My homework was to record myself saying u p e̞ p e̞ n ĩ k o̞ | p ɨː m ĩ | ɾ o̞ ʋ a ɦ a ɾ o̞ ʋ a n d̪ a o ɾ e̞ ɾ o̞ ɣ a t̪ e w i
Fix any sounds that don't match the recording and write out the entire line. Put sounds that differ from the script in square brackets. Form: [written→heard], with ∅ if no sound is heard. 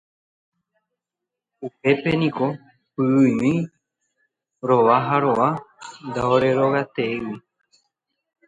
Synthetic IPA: u p e̞ p e̞ n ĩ k o̞ | p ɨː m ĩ | ɾ o̞ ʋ a ɦ a ɾ o̞ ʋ a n d̪ a o ɾ e̞ ɾ o̞ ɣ a t̪ e w i